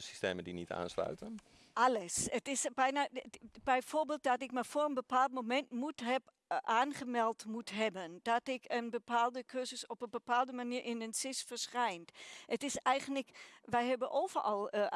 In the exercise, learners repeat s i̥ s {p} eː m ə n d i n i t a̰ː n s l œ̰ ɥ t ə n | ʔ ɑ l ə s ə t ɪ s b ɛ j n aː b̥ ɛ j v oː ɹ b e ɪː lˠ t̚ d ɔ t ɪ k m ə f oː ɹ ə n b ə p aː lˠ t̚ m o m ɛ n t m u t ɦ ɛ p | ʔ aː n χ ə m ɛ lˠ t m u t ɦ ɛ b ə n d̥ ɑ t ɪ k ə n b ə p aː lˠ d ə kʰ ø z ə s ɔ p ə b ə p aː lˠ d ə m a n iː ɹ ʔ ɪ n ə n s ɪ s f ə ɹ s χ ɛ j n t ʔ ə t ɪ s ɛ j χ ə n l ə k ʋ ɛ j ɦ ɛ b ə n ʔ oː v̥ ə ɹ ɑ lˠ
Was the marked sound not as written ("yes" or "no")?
yes